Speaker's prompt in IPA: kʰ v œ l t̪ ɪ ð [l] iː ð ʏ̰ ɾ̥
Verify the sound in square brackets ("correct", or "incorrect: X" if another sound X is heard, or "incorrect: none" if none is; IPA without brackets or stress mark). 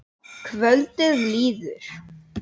correct